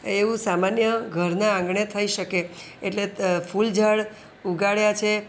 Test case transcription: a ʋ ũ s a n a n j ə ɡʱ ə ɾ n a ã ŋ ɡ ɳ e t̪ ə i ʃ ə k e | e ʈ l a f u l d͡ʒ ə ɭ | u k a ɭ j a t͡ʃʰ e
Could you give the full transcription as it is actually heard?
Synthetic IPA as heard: e ʋ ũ s a m a n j ə ɡʱ ə ɾ n a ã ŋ ɡ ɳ e t̪ʰ ə i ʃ ə k e | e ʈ l e f u l d͡ʒ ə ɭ | u ɡ a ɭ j a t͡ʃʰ e